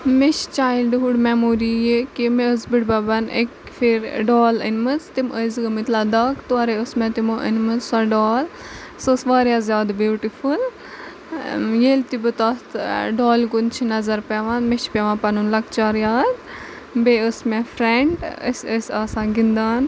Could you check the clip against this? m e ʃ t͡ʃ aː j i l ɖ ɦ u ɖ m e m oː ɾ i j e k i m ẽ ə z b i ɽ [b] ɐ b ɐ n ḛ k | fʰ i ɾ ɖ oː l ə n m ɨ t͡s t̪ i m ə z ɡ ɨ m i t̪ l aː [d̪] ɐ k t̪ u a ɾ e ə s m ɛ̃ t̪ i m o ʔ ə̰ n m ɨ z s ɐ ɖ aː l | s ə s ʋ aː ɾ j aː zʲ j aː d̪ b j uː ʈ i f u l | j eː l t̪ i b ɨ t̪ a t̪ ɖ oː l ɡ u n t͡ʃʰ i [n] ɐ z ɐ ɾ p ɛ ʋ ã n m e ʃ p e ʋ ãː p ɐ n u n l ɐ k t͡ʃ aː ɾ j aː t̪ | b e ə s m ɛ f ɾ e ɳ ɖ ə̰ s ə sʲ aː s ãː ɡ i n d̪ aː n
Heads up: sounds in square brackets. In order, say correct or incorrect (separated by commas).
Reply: correct, correct, correct